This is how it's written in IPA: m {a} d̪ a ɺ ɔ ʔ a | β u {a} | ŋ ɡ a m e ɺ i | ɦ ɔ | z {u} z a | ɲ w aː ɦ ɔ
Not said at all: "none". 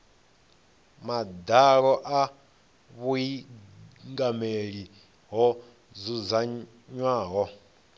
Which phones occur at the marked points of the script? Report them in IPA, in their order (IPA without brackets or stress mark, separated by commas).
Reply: a, i, u